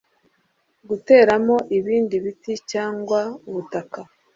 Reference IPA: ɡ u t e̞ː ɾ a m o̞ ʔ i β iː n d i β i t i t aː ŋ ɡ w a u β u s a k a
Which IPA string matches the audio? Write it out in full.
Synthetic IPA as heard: ɡ u t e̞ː ɾ a m o̞ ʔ i β iː n d i β i t i c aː ŋ ɡ w a u β u t a k a